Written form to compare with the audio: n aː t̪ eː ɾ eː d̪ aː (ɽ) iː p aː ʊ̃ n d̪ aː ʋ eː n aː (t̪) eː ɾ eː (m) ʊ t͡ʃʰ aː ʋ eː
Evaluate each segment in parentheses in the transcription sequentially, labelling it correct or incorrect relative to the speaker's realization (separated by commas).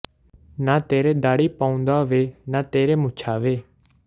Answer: correct, correct, correct